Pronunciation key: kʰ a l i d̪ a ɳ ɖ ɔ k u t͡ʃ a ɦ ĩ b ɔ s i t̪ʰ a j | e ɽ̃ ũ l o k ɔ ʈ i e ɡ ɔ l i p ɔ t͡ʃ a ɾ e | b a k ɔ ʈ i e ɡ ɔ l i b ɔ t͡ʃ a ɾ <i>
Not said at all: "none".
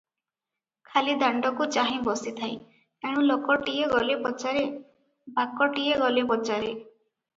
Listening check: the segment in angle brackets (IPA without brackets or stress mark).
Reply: e